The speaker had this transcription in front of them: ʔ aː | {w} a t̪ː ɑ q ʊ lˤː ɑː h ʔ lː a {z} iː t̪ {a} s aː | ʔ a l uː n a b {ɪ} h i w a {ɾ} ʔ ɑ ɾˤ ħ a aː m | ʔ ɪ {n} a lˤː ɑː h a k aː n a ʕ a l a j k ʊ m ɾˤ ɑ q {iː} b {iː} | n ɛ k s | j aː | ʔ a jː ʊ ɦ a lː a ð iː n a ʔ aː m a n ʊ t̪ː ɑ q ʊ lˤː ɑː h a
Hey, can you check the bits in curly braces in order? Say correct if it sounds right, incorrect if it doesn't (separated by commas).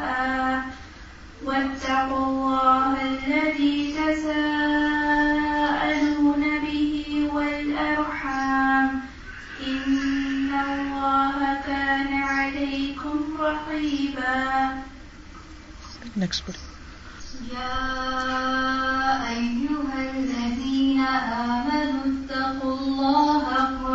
correct, incorrect, correct, correct, incorrect, incorrect, correct, incorrect